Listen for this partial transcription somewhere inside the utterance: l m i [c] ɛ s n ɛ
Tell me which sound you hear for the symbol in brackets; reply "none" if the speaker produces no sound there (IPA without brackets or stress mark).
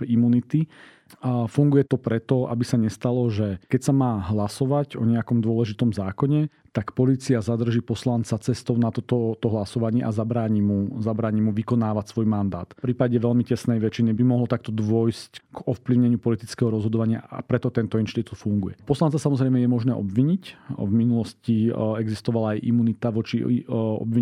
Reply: c